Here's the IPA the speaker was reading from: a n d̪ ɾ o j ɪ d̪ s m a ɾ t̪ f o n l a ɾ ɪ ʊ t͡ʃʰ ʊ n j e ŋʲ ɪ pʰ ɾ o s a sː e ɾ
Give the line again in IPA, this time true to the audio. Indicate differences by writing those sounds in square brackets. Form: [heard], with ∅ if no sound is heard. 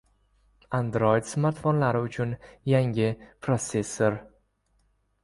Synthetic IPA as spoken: a n d̪ ɾ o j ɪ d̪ s m a ɾ t̪ f o n l a ɾ ɪ ʊ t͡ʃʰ ʊ n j [a] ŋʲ ɪ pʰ ɾ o s [e] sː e ɾ